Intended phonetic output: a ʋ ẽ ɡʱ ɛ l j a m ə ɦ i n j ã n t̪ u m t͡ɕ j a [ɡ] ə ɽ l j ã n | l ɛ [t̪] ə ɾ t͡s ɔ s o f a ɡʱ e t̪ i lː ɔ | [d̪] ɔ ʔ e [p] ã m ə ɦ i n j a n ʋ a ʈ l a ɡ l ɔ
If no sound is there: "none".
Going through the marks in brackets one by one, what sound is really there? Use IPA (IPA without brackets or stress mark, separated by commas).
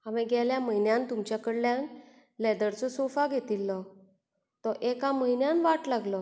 k, d̪, t̪, k